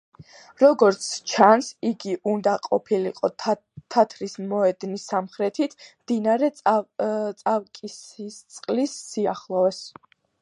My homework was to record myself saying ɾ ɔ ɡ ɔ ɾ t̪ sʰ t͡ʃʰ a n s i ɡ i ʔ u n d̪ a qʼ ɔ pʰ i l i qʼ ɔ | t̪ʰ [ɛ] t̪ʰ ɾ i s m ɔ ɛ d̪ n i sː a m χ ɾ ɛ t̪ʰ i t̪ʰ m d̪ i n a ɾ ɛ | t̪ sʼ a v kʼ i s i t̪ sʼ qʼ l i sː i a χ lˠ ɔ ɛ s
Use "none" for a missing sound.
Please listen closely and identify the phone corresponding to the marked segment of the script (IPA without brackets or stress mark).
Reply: a